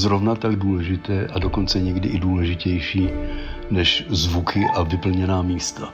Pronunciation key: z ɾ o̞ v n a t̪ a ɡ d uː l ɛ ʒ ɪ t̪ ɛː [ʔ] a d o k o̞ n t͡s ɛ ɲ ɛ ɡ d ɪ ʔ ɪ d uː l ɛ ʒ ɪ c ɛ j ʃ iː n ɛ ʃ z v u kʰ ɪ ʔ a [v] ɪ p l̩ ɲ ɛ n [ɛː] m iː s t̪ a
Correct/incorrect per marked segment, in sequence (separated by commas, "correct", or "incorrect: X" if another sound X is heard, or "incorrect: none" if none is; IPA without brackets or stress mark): correct, correct, incorrect: aː